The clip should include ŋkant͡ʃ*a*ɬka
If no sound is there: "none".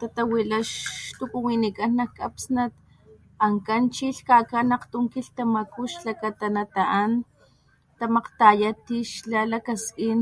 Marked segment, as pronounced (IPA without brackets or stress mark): i